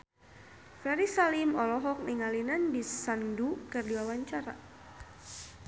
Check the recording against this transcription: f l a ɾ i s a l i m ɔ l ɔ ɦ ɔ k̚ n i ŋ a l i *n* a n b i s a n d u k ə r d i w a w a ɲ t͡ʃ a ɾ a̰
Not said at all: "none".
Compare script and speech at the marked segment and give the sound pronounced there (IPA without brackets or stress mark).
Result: n